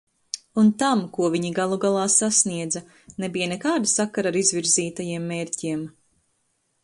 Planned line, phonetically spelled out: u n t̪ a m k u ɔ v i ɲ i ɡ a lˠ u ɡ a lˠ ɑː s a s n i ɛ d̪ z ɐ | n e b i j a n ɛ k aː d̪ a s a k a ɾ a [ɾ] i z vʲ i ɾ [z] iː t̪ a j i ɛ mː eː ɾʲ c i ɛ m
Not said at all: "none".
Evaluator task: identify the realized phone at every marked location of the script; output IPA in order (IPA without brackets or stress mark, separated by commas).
ɾ, z